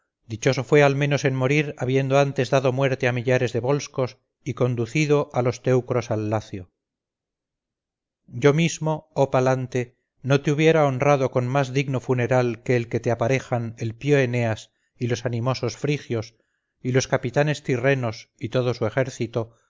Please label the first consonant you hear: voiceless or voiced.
voiced